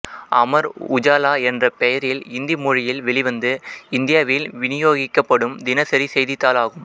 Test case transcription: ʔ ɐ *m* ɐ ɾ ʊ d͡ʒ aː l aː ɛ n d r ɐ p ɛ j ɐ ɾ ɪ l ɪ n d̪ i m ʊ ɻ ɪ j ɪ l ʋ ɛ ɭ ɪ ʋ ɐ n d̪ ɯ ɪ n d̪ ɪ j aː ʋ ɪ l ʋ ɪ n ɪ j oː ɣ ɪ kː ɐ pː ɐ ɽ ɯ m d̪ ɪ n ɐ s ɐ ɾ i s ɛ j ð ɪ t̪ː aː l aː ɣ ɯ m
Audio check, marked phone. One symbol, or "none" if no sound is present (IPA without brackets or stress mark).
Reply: m